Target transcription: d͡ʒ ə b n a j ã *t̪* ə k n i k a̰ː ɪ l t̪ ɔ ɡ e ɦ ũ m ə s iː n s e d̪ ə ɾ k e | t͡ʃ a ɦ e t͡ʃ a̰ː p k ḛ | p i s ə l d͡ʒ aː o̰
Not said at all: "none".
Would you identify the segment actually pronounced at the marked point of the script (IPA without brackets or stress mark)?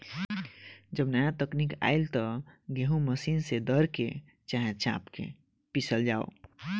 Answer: t̪